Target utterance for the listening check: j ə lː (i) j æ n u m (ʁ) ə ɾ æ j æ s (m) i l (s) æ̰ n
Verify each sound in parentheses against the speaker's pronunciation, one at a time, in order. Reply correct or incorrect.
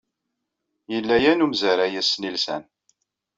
incorrect: æ, incorrect: z, incorrect: n, correct

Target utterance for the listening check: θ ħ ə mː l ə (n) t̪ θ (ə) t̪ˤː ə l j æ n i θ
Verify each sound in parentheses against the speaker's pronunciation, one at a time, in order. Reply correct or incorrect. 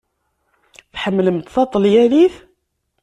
incorrect: m, incorrect: ɑ

